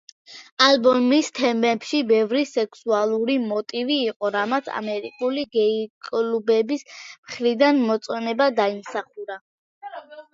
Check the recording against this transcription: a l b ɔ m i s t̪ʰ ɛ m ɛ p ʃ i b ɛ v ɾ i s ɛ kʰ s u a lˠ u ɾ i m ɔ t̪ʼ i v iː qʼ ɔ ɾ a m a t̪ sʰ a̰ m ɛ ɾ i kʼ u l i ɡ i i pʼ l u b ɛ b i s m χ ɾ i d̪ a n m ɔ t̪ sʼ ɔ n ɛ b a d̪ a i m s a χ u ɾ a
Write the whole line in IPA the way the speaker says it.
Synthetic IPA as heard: a l b ɔ m i s t̪ʰ ɛ m ɛ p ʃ i b ɛ v ɾ i s ɛ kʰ s u a lˠ u ɾ i m ɔ t̪ʼ i v iː qʼ ɔ ɾ a m a t̪ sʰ a̰ m ɛ ɾ i kʼ u l i ɡ ɛ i kʼ l u b ɛ b i s m χ ɾ i d̪ a n m ɔ t̪ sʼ ɔ n ɛ b a d̪ a i m s a χ u ɾ a